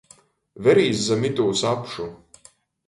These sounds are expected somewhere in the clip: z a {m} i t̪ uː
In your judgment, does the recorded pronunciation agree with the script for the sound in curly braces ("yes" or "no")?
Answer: yes